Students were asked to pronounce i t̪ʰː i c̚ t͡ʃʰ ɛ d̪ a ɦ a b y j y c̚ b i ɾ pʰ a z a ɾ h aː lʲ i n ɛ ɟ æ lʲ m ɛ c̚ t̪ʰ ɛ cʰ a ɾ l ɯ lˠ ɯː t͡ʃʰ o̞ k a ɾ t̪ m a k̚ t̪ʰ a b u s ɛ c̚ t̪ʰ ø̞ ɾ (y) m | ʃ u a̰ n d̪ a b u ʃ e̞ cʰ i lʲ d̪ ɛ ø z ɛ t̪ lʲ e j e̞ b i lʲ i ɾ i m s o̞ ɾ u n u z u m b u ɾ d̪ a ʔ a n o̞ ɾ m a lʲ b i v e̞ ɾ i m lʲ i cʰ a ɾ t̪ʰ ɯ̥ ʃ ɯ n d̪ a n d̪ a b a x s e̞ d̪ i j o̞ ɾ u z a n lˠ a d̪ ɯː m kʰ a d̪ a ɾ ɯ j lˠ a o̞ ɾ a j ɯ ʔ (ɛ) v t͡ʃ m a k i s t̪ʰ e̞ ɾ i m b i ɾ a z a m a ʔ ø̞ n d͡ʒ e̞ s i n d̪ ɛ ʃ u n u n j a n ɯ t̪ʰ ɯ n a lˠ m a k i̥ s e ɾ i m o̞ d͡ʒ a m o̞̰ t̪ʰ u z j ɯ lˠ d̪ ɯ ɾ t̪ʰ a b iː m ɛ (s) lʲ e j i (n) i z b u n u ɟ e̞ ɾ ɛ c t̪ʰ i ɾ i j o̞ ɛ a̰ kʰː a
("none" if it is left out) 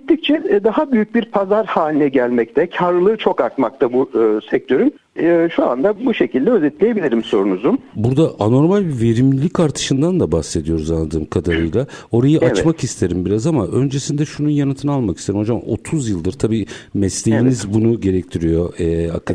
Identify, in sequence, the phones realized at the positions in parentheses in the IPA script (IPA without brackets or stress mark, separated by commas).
y, a, s, n